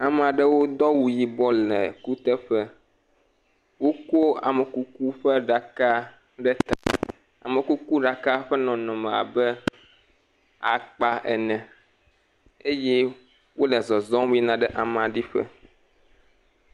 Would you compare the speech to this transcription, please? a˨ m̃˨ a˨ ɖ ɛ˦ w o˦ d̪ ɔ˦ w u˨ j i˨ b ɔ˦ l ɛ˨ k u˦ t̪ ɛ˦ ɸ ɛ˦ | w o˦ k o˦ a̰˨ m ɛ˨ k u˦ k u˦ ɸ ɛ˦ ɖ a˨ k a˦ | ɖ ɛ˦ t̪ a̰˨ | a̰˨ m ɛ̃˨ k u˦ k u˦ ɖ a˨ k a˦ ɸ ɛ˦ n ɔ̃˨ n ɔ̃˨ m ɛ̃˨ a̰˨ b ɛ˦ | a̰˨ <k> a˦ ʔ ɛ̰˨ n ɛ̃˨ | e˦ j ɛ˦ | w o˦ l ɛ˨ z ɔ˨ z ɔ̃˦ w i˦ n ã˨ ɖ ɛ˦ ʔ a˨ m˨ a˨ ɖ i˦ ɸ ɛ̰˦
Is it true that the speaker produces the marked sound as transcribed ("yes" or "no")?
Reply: no